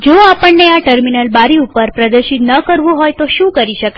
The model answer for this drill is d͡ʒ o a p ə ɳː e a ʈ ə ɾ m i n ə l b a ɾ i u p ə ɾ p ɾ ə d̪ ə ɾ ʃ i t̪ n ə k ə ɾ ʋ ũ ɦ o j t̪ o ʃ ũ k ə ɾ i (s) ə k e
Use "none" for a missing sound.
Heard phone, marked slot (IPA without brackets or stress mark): ʃ